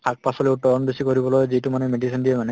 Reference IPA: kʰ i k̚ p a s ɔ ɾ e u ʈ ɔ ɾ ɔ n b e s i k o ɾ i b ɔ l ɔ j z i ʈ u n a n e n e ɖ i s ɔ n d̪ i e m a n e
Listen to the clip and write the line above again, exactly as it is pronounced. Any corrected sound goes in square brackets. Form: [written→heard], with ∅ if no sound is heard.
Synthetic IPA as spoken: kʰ [i→a] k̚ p a s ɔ [ɾ→l] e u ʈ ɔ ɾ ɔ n b e s i k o ɾ i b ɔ l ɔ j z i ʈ u [n→m] a n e [n→m] e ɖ i s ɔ n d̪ i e m a n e